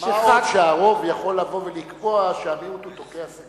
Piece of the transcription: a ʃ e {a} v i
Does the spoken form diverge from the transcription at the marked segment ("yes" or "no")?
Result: no